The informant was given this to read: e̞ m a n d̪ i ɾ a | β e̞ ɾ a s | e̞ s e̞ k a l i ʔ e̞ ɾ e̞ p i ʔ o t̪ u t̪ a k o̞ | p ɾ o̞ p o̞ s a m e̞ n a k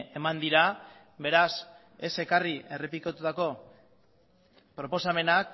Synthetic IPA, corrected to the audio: e̞ m a n d̪ i ɾ a | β e̞ ɾ a s | e̞ s e̞ k a r i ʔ e̞ r e̞ p i k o t̪ u t̪ a k o̞ | p ɾ o̞ p o̞ s a m e̞ n a k